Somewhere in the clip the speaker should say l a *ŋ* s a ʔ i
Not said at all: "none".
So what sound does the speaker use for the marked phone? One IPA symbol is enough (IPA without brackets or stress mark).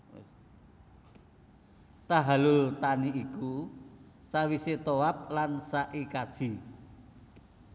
n